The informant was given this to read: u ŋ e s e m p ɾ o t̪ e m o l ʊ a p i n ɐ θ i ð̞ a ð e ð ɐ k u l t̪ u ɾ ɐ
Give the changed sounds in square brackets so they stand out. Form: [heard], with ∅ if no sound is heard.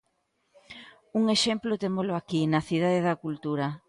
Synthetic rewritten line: u ŋ e [ʃ] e m p [l] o t̪ e m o l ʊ a [k] i n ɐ θ i ð̞ a ð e ð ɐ k u l t̪ u ɾ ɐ